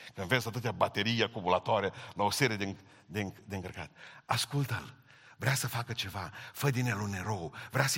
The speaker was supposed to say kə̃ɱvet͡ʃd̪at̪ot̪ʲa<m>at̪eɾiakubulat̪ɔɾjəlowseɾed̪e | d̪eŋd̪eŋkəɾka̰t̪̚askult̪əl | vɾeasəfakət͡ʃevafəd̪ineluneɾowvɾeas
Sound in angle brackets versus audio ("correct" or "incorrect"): incorrect